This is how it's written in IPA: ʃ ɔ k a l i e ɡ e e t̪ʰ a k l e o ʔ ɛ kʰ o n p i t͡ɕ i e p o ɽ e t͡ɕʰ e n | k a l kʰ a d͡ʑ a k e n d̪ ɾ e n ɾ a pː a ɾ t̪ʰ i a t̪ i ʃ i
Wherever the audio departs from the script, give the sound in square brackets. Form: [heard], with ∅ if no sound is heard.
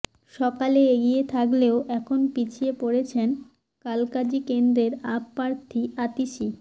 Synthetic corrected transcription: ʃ ɔ k a l [e] e ɡ [i] e t̪ʰ a k l e o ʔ ɛ kʰ o n p i [t͡ɕʰ] i e p o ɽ e t͡ɕʰ e n | k a l [k] a d͡ʑ [i] k e n d̪ ɾ e [∅] ɾ a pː a ɾ t̪ʰ i a t̪ i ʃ i